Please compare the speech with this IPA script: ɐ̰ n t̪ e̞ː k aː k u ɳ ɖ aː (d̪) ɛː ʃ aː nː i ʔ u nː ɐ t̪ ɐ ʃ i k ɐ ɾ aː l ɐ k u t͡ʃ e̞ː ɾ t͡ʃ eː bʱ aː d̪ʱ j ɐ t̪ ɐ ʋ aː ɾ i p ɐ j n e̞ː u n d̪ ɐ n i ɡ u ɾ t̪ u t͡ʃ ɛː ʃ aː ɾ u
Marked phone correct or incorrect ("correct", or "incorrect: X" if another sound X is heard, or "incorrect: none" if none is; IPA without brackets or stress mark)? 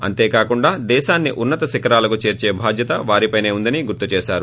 correct